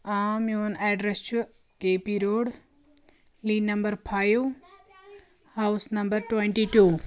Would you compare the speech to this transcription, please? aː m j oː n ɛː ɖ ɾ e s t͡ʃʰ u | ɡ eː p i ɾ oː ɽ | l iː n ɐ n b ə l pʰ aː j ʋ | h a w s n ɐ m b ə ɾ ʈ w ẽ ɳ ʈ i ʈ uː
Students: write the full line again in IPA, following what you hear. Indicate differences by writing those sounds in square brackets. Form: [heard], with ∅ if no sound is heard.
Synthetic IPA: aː m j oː n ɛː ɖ ɾ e s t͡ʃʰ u | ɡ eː p i ɾ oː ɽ | l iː n ɐ [m] b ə [ɾ] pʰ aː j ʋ | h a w s n ɐ m b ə ɾ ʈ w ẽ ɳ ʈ i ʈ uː